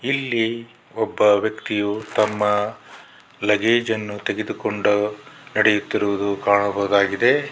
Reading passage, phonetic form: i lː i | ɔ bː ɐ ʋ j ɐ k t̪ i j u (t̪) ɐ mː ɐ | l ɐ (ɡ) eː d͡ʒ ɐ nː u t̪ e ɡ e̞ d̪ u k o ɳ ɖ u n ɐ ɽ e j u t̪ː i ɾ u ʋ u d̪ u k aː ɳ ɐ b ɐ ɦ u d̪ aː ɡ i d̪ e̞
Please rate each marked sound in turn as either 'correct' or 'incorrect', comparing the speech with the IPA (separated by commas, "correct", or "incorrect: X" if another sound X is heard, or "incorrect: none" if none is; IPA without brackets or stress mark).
correct, correct